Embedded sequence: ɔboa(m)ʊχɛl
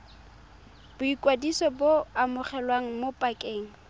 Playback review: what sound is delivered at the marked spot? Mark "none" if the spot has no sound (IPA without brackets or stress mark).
m